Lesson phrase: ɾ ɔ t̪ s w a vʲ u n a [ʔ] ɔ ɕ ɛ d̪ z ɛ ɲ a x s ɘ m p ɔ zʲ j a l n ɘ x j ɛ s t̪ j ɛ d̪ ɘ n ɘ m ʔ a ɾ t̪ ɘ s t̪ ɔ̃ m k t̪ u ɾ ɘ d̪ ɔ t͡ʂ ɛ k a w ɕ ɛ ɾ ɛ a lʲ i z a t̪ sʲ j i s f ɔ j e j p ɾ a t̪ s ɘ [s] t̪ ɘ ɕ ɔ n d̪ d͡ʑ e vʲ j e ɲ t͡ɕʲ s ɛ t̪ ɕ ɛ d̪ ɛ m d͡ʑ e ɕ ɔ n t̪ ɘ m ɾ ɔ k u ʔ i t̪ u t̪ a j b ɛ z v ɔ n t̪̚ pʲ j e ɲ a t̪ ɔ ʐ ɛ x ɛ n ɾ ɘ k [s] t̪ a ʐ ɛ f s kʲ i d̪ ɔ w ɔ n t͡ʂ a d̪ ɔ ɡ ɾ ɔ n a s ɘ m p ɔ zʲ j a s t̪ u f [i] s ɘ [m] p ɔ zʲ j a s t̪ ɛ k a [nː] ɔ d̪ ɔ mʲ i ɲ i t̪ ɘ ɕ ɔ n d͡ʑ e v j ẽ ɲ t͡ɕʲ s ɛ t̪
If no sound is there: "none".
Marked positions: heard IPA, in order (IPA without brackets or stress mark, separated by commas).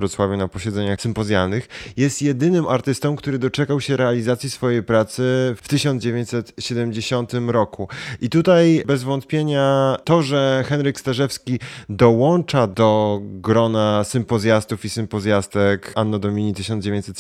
p, f, s, i, m, nː